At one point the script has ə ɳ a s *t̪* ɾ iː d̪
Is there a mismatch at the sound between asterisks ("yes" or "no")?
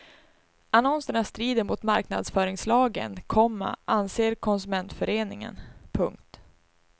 no